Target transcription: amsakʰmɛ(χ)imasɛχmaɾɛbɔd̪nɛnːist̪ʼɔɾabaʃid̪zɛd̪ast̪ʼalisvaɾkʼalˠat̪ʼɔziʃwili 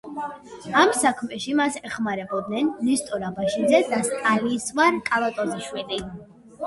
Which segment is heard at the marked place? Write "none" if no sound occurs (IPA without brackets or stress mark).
ʃ